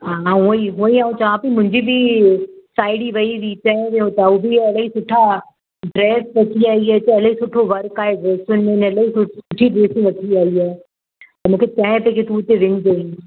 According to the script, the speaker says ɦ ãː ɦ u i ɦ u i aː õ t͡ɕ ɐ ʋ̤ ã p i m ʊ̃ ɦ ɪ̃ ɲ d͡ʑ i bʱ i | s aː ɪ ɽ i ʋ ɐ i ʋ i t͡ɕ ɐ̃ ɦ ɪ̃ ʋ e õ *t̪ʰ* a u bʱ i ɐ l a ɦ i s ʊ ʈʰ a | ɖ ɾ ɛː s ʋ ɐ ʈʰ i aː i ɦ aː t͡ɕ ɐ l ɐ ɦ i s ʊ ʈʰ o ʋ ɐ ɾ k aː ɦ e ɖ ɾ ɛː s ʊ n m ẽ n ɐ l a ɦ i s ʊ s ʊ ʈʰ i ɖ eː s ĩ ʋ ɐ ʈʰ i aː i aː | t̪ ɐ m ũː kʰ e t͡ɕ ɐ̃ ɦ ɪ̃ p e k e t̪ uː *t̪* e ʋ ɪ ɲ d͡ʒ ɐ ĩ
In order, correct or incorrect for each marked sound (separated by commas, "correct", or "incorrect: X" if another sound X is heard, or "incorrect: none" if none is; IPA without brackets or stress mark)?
incorrect: t̪, correct